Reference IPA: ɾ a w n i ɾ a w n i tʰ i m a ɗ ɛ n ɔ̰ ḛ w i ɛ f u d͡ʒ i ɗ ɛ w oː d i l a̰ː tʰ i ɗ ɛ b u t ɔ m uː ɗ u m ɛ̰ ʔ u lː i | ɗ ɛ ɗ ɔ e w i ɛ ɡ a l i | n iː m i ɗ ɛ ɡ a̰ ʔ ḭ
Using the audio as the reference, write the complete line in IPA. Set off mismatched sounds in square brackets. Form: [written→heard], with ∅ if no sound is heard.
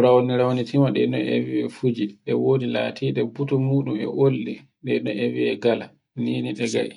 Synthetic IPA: ɾ a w n i ɾ a w n i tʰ i m a ɗ ɛ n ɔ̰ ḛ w i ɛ f u d͡ʒ i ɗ ɛ w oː d i l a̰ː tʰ i ɗ ɛ b u t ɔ m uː ɗ u m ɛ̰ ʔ [u→o] lː i | ɗ ɛ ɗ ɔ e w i ɛ ɡ a l [i→a] | n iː [m→n] i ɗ ɛ ɡ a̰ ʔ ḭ